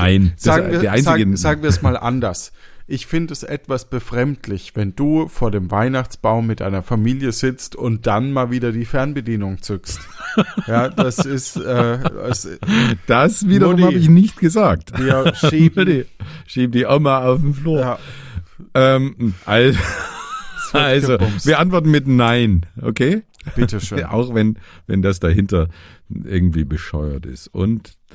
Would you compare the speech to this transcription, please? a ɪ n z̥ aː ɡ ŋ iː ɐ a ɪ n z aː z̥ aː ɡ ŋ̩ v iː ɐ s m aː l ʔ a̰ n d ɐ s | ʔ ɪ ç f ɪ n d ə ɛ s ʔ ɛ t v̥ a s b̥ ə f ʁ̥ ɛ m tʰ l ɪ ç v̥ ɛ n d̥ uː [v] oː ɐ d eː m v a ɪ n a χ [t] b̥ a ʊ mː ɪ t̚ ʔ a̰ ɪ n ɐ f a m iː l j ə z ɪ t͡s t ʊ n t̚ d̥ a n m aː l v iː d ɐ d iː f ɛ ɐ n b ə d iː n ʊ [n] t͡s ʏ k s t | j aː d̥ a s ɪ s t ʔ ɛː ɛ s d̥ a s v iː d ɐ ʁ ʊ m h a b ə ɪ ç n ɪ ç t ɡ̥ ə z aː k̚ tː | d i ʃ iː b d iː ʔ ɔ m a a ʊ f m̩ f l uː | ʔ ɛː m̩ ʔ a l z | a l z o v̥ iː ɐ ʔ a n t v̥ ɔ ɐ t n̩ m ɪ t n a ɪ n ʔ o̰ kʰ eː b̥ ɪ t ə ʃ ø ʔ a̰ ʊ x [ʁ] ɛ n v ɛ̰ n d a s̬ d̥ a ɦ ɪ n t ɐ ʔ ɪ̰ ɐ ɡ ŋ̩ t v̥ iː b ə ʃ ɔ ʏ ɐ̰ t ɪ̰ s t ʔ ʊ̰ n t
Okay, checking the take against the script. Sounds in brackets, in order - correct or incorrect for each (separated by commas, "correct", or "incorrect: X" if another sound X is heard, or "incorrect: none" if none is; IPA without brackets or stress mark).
incorrect: f, incorrect: t͡s, incorrect: ŋ, incorrect: v